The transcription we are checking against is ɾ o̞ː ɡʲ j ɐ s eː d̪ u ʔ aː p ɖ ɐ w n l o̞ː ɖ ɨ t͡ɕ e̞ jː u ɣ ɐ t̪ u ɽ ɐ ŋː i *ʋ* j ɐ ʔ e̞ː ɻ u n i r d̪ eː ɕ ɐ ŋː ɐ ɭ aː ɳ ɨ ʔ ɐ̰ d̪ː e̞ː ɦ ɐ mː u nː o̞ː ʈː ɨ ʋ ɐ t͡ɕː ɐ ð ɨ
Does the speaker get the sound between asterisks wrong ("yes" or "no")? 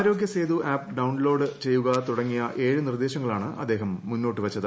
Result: yes